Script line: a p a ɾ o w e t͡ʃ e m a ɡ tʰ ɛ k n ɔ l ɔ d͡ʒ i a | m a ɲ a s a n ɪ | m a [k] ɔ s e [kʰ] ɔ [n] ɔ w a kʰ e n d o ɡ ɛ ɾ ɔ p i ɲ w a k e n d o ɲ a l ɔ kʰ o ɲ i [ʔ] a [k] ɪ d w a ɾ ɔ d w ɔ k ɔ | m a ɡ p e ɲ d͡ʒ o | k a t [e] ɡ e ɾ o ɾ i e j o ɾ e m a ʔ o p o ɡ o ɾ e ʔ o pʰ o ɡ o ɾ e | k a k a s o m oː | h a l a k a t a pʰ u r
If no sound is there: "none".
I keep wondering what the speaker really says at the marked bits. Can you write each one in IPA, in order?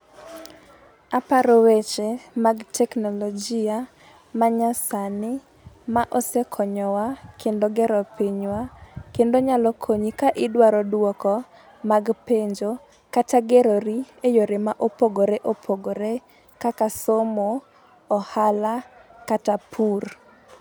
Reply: ʔ, kʰ, ɲ, k, ʔ, a

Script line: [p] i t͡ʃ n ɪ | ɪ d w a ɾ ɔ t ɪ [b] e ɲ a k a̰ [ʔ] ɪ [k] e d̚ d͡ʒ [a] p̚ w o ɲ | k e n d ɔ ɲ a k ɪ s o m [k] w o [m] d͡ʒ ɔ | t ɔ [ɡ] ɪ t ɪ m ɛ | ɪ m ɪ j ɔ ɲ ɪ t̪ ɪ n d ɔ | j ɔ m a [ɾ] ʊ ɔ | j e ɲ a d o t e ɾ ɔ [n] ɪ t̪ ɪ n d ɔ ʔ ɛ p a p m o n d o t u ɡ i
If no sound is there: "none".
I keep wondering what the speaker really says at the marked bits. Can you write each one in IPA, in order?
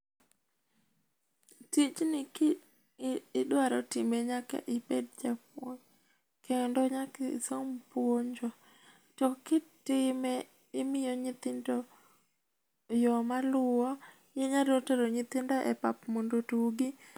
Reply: t, m, ʔ, p, a, p, ɲ, k, l, ɲ

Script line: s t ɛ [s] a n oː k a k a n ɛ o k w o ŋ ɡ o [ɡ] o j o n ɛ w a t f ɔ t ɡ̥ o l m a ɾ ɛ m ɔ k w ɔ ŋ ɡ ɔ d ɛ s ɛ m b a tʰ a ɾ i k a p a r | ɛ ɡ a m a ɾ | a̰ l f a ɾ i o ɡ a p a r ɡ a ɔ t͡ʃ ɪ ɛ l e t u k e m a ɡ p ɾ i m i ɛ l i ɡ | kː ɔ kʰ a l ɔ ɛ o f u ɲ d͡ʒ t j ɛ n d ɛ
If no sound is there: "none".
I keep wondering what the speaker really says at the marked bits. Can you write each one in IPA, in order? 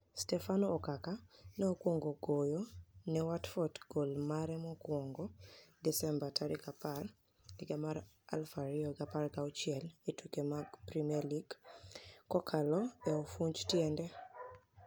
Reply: f, ɡ

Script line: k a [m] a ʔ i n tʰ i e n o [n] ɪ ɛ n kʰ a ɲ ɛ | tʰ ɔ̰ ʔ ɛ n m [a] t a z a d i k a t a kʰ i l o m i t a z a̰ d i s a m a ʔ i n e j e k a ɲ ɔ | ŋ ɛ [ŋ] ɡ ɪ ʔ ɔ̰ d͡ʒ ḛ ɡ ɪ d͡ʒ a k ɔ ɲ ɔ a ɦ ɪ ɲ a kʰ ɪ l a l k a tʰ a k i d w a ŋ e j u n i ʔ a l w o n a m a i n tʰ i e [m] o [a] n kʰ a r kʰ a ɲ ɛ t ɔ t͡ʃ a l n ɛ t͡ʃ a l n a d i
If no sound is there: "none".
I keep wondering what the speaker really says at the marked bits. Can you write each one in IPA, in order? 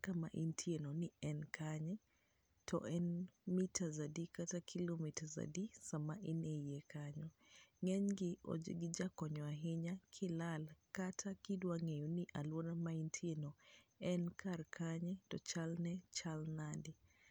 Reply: m, n, i, ɲ, n, ɛ

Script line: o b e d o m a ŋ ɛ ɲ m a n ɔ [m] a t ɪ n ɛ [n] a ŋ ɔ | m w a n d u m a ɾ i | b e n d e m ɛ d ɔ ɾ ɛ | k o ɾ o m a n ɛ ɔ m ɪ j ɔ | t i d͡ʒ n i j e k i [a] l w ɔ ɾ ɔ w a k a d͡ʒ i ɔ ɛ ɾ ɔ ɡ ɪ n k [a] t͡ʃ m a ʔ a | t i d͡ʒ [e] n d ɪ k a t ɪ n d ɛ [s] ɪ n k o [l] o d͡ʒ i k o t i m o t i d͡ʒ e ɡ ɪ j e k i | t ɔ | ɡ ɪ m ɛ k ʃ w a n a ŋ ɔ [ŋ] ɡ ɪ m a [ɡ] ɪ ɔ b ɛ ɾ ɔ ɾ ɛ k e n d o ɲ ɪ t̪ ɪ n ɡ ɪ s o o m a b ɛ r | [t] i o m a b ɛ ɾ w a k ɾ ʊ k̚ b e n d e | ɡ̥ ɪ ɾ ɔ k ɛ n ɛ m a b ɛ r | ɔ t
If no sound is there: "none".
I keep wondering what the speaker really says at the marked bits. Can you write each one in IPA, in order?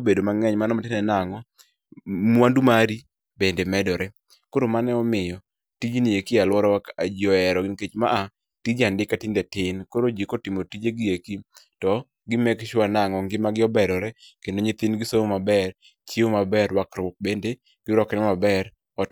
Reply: m, n, a, e, a, t, ɾ, ŋ, ɡ, t͡ʃ

